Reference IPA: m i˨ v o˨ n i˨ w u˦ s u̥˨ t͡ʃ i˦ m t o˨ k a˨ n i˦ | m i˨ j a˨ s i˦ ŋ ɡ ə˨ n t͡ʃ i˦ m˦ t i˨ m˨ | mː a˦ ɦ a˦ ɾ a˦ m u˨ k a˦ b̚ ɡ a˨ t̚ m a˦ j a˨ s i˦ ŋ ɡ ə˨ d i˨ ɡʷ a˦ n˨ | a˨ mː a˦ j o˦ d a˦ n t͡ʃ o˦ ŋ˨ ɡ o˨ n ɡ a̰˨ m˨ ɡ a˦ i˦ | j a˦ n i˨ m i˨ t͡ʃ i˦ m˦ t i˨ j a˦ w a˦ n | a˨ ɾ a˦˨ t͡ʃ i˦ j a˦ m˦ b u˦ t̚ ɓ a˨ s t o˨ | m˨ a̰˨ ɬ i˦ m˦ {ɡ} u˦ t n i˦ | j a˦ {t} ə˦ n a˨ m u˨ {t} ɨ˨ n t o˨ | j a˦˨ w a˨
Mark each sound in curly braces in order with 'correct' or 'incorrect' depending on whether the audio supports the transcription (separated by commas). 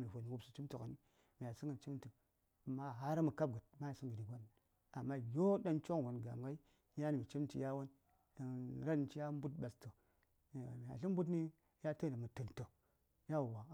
incorrect, correct, correct